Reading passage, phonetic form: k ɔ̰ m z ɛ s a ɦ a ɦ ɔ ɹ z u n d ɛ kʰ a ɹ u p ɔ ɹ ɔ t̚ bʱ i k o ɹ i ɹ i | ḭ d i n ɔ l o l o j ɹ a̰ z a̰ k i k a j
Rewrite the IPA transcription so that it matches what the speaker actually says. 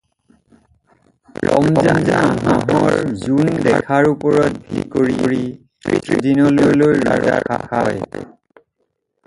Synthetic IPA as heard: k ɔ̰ m z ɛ z a ɦ a ɦ ɔ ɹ z u n d ɛ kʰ a ɹ u p ɔ ɹ ɔ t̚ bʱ i k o ɹ i ɹ i | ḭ d i n ɔ l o l o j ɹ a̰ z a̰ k a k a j